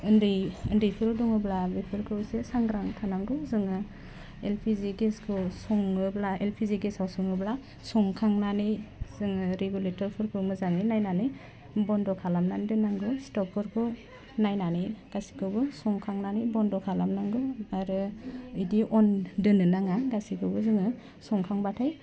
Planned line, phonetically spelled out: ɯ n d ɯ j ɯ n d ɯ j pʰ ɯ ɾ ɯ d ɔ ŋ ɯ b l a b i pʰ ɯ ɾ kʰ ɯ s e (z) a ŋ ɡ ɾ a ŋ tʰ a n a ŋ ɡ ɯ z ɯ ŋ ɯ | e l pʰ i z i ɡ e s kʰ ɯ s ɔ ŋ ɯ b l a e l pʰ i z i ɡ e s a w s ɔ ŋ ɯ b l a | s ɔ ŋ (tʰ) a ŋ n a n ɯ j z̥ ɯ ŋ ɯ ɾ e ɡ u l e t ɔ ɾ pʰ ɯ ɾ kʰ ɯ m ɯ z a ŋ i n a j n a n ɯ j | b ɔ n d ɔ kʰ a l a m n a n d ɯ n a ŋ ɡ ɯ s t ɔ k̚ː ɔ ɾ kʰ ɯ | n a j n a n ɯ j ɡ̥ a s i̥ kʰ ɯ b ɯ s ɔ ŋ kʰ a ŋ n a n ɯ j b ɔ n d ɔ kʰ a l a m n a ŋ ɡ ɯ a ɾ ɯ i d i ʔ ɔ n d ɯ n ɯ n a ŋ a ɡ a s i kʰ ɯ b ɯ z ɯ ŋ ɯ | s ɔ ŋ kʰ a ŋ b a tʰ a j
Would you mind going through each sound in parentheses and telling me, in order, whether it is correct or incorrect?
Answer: incorrect: s, incorrect: kʰ

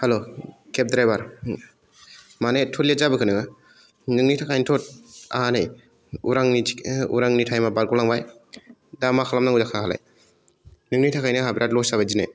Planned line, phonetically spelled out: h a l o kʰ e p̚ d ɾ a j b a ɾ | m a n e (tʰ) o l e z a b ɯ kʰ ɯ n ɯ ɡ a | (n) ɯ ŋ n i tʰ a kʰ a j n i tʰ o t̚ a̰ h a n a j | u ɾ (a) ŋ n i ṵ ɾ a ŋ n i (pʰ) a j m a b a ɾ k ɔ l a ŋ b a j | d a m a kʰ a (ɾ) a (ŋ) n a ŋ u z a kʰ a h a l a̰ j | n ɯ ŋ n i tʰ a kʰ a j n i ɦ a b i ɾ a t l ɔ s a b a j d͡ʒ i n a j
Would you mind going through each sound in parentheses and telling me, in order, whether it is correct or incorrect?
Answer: correct, correct, correct, incorrect: tʰ, incorrect: l, incorrect: m

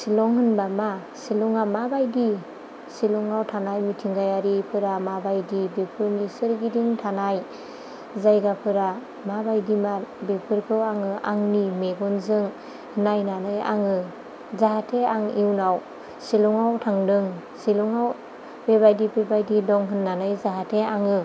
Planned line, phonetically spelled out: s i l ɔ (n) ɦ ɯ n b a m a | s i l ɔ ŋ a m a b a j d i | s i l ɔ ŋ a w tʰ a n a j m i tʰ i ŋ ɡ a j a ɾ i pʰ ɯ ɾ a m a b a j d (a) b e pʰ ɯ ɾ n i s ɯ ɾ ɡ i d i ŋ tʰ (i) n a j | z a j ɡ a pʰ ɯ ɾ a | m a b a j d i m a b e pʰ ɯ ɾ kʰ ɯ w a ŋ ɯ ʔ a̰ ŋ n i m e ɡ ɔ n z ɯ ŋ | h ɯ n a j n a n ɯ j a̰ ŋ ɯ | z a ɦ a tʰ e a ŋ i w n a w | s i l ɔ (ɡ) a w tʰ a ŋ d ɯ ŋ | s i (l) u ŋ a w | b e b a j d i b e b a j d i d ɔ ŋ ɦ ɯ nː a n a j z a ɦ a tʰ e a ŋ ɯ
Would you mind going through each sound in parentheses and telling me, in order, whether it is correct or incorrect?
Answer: incorrect: ŋ, incorrect: i, incorrect: a, incorrect: ŋ, correct

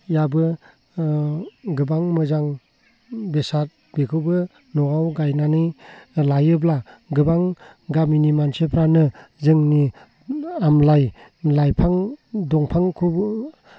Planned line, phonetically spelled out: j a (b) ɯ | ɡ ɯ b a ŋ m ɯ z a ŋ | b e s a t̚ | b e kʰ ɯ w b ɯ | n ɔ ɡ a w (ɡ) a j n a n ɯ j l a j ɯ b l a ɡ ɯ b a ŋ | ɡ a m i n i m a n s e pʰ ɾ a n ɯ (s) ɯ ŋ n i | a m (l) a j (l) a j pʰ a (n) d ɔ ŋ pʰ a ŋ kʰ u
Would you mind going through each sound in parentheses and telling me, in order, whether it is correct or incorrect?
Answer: correct, correct, incorrect: z, correct, correct, incorrect: ŋ

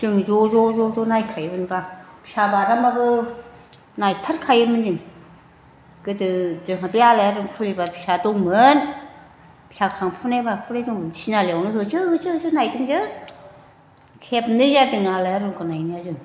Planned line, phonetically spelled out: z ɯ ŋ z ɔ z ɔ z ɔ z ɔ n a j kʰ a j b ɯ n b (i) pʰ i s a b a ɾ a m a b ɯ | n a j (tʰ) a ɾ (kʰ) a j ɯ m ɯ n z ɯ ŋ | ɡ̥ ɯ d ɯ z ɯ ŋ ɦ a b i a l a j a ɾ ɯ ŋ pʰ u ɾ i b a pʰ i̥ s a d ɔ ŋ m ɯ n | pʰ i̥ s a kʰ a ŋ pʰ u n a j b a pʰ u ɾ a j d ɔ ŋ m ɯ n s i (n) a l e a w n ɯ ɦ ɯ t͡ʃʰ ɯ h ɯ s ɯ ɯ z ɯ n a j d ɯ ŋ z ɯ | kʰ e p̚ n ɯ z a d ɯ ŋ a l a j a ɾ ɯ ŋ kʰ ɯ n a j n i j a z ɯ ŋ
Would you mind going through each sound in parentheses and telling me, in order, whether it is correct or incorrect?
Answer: incorrect: a, correct, correct, correct

